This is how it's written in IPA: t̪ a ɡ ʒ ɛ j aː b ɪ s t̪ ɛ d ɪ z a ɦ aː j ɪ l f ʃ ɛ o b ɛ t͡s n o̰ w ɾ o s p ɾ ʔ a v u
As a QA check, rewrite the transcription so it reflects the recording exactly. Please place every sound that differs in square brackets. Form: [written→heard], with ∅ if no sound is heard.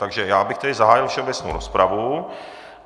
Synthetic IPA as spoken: t̪ a ɡ ʒ ɛ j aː b ɪ [s→x] t̪ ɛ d ɪ z a ɦ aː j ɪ l f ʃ ɛ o b ɛ t͡s n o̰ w ɾ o s p ɾ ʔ a v u